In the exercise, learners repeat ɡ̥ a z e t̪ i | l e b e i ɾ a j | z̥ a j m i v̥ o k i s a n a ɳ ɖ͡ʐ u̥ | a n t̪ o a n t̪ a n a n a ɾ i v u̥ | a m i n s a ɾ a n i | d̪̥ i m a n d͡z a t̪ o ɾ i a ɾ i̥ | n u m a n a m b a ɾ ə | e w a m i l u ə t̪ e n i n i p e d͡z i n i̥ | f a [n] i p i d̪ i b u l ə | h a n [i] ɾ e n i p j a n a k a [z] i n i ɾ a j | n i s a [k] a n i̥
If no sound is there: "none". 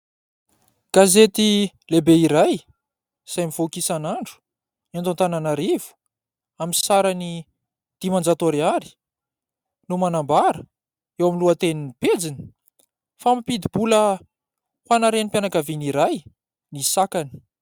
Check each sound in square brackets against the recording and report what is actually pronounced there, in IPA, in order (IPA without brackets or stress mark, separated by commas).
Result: m, a, v, k